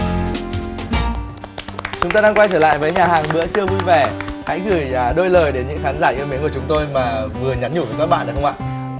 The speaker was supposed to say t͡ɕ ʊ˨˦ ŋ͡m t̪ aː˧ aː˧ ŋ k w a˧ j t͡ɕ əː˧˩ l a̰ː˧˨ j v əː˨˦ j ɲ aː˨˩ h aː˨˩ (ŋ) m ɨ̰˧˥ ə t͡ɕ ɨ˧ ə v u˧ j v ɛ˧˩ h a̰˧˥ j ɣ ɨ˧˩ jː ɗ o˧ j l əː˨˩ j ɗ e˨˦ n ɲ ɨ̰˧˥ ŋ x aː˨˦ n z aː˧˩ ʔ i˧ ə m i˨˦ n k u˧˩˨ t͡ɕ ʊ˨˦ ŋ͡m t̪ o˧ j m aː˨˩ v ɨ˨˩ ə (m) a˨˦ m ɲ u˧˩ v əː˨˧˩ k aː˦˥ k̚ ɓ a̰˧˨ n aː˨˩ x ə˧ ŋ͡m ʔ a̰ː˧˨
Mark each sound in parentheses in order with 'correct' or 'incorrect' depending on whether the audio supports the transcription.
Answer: correct, incorrect: ɲ

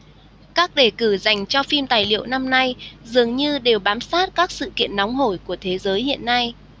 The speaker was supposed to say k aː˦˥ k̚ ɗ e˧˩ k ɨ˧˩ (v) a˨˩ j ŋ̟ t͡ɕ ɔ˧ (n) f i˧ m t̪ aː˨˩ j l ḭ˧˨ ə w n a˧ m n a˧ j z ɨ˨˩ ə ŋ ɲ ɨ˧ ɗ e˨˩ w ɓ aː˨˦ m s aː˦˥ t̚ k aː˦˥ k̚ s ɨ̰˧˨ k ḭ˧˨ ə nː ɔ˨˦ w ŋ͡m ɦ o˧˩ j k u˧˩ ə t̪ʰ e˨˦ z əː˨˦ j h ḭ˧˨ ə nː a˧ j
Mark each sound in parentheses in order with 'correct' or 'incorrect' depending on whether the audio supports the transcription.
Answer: incorrect: z, incorrect: none

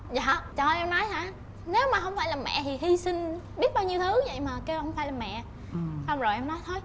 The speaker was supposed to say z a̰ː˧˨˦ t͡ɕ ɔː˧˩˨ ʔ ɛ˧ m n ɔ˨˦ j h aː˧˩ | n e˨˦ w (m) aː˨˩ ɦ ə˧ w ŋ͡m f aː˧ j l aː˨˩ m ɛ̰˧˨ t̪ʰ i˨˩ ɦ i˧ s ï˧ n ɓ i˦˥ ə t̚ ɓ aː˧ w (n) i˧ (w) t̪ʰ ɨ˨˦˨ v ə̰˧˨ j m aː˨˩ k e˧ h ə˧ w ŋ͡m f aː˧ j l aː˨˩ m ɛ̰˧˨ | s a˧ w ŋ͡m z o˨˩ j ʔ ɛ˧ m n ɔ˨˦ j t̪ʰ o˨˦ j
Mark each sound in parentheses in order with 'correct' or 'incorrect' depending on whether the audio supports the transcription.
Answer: correct, incorrect: ɲ, correct

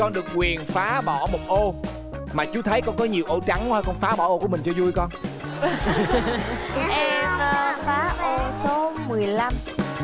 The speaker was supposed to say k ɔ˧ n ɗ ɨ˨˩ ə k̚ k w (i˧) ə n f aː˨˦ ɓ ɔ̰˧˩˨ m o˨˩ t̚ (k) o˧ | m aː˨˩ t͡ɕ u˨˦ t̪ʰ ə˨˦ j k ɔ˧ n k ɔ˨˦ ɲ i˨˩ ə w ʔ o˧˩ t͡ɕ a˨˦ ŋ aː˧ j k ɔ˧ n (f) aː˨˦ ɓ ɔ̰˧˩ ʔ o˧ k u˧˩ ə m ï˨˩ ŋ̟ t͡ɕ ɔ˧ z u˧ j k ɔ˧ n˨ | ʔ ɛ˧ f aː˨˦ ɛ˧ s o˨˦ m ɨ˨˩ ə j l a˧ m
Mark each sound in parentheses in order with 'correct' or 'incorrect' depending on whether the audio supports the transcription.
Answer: incorrect: i˨˩, incorrect: ʔ, correct

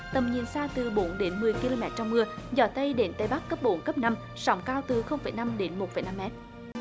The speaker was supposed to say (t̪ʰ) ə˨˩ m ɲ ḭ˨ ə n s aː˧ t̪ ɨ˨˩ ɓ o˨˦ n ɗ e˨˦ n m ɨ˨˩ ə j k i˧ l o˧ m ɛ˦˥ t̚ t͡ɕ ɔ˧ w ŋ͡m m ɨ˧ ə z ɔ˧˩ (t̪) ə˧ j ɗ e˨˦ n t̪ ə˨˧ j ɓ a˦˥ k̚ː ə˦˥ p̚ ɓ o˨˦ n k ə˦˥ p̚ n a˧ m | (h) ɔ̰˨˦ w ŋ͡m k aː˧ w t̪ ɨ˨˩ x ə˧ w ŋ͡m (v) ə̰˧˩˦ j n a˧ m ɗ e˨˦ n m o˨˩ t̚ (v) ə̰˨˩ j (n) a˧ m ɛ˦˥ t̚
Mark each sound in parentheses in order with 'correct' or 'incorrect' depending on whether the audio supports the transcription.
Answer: incorrect: t̪, correct, incorrect: s, incorrect: f, incorrect: f, correct

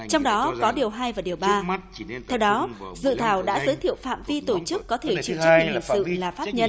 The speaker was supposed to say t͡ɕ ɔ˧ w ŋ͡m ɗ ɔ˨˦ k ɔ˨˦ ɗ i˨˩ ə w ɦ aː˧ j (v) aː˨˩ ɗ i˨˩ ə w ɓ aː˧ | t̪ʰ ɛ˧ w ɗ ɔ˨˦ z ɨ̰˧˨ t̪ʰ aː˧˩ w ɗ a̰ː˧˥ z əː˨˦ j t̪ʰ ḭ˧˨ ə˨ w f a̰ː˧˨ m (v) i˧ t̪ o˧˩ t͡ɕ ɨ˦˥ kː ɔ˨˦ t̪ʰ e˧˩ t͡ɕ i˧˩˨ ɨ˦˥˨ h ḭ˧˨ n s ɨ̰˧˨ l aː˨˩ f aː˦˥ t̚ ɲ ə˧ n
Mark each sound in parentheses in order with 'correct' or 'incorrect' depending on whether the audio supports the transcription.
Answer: correct, correct

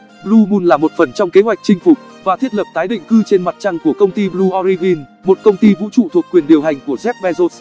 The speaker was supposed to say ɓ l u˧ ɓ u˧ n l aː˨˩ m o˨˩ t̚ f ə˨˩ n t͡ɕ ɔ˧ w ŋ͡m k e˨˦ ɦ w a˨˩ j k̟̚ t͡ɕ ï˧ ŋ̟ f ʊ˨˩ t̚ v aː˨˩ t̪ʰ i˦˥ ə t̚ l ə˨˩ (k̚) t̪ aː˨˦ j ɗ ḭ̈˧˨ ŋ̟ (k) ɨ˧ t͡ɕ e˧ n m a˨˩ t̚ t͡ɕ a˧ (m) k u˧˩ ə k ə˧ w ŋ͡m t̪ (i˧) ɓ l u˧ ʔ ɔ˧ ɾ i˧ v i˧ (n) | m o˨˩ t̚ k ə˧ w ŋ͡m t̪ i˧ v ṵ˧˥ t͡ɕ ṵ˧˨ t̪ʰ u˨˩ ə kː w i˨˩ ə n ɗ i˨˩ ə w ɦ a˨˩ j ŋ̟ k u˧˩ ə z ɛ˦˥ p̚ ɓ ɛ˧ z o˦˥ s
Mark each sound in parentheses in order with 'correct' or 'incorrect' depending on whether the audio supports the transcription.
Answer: incorrect: p̚, correct, incorrect: ŋ, correct, correct

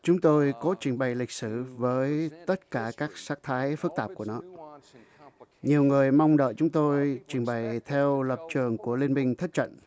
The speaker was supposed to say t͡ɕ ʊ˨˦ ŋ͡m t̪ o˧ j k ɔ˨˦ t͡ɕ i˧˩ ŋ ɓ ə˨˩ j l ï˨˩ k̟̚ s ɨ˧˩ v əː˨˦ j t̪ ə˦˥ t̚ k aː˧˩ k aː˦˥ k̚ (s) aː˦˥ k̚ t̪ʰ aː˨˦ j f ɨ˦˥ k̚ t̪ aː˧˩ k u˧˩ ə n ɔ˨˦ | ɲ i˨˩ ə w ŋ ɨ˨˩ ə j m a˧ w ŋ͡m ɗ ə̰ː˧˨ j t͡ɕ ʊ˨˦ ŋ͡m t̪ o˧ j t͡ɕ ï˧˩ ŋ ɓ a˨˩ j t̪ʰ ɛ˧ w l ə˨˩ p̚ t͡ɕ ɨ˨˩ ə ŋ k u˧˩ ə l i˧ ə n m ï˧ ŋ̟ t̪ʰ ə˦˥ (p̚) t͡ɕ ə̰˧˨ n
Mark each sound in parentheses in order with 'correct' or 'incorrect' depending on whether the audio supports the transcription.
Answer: correct, incorrect: t̚

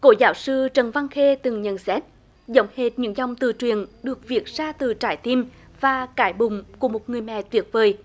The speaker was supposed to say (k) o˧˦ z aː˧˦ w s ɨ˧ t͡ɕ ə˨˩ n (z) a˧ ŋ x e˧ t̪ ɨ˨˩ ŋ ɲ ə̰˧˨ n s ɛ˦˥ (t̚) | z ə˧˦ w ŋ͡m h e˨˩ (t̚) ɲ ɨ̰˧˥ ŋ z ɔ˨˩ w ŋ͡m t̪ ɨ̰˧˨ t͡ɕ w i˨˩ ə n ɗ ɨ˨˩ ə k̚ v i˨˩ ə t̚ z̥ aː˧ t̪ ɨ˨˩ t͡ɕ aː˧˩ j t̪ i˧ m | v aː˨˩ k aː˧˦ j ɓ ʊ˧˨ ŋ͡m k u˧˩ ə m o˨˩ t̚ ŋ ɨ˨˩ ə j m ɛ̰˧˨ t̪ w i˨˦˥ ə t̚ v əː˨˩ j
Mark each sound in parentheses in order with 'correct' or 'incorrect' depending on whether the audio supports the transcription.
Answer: correct, incorrect: v, correct, correct

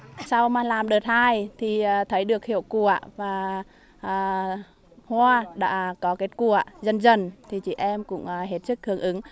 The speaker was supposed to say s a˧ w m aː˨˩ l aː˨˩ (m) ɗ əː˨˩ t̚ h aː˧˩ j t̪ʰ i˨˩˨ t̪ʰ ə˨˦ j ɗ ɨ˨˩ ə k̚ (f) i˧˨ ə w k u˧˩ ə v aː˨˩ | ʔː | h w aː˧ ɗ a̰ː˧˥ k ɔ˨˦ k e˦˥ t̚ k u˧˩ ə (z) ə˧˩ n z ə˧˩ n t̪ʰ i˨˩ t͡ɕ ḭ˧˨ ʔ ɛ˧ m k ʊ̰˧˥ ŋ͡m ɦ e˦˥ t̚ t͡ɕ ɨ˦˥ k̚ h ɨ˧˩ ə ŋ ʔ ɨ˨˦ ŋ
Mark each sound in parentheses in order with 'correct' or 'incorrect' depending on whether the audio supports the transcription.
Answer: correct, incorrect: h, correct

